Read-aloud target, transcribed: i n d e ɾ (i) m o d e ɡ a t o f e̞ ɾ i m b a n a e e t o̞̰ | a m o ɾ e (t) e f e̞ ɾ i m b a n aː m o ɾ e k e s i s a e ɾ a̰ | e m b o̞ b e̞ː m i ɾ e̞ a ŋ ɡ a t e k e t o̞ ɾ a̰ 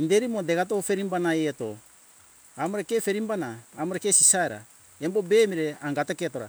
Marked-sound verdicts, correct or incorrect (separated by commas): correct, incorrect